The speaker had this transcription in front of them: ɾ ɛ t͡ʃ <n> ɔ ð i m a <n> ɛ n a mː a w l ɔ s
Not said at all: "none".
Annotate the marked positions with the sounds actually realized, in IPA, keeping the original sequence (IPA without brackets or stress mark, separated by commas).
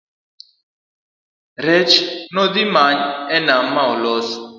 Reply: n, ɲ